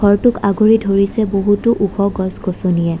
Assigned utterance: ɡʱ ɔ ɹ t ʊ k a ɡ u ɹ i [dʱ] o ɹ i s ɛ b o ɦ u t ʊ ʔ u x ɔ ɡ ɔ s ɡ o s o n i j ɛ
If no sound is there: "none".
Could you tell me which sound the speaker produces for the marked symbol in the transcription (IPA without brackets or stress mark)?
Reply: dʱ